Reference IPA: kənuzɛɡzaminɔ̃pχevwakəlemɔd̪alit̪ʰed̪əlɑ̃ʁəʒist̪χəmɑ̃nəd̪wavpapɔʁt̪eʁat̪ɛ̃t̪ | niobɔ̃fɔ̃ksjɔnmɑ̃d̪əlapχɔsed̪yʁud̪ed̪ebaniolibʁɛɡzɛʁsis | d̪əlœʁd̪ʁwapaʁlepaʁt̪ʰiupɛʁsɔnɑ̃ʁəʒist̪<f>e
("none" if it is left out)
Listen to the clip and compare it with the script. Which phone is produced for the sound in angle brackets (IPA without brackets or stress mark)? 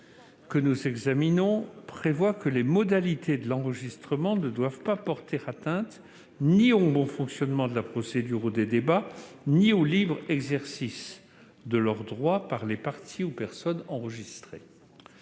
χ